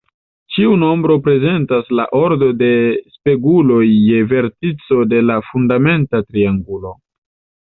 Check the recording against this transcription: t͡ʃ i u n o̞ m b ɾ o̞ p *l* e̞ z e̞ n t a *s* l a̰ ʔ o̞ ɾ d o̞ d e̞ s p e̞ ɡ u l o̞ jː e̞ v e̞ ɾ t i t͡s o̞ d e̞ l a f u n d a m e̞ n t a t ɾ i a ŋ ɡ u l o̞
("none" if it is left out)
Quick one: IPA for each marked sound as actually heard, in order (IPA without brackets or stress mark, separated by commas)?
ɾ, s